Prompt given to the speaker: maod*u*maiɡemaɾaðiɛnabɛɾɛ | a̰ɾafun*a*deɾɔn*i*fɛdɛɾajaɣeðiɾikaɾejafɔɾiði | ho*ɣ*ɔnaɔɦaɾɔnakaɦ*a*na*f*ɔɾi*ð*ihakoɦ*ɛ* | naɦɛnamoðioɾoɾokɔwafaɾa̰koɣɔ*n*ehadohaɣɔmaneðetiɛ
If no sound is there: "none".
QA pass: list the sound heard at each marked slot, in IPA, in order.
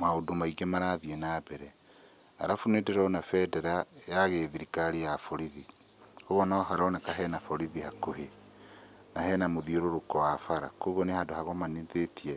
o, e, a, ɣ, ɛ, f, ð, e, n

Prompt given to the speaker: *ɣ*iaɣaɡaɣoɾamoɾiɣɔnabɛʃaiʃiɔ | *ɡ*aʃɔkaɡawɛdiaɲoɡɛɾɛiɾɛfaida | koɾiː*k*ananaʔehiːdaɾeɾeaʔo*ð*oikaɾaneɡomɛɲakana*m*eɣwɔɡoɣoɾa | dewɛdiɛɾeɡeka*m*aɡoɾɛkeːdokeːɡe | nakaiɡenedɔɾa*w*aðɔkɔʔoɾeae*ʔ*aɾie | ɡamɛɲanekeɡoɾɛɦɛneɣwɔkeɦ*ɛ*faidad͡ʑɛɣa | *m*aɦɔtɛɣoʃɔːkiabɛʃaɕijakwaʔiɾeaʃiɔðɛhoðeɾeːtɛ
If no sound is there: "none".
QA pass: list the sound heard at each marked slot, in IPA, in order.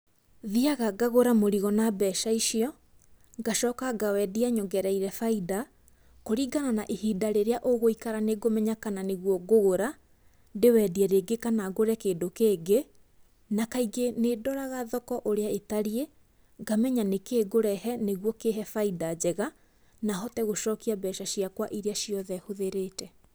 ð, ɡ, ɡ, ɣ, n, n, ɣ, t, ɛ, n

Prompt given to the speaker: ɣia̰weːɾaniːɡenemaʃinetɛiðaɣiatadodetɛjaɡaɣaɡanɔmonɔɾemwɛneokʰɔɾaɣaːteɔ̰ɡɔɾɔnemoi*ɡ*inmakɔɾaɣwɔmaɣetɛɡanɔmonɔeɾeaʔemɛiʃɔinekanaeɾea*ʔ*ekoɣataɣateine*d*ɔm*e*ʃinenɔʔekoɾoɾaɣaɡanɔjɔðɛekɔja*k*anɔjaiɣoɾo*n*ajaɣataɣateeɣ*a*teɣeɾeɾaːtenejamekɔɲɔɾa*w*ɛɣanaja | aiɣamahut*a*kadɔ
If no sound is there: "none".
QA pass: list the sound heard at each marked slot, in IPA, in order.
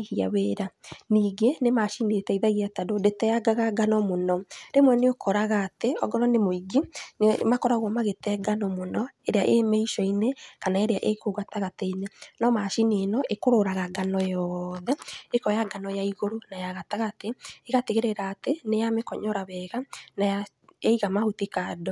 ɡ, ʔ, n, a, ɡ, n, a, β, i

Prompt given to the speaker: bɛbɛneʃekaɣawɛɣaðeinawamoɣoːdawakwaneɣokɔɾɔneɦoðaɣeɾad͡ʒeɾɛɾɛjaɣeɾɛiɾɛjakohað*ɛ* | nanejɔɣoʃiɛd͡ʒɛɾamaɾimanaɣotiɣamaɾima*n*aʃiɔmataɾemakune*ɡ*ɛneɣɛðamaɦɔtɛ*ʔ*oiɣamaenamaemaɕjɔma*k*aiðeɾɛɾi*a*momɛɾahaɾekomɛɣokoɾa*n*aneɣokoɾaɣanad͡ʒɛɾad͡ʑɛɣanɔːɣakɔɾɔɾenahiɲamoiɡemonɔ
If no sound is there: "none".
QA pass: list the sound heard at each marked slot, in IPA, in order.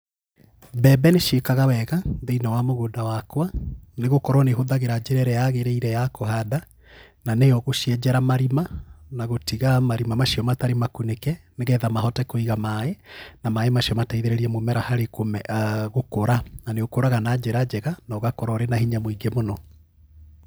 a, m, k, k, t, ɛ, n

